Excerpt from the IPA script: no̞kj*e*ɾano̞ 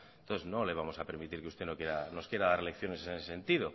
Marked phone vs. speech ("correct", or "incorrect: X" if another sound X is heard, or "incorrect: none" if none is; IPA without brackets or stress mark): correct